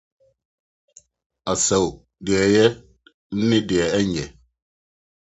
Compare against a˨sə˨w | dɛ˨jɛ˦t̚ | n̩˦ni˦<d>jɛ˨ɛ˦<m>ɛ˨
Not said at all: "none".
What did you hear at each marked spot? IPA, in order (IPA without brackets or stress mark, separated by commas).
d, ɲ